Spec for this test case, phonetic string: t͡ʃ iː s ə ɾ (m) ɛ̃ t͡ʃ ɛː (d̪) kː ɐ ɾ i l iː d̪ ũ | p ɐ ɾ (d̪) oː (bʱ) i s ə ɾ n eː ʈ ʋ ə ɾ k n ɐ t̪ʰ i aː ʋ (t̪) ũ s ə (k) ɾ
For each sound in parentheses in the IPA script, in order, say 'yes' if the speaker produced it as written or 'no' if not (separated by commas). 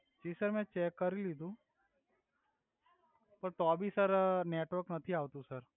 yes, no, no, yes, yes, no